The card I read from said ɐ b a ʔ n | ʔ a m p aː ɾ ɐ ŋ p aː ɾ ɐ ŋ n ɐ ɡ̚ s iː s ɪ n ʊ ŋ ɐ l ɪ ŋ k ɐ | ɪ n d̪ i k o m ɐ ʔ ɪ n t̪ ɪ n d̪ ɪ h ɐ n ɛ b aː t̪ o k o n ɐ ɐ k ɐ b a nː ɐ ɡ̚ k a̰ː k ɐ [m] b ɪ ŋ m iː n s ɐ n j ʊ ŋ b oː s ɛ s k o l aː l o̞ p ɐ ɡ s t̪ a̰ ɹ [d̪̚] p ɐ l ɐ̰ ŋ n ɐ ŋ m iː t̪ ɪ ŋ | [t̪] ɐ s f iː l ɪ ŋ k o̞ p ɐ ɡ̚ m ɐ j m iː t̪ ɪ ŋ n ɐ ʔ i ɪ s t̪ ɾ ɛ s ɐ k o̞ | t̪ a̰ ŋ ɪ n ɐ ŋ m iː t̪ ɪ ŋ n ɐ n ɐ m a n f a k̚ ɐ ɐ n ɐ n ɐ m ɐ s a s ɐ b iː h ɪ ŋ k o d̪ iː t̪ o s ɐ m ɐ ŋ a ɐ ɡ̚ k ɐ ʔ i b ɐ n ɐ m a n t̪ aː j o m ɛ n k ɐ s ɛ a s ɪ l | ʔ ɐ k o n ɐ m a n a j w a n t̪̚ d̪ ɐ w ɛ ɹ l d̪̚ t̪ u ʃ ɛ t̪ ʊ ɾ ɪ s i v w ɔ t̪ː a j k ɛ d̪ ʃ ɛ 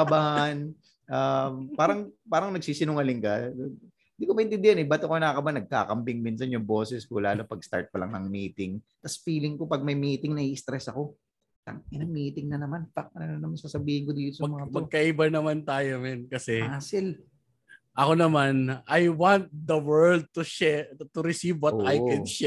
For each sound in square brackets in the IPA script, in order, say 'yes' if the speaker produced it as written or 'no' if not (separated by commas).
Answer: yes, no, yes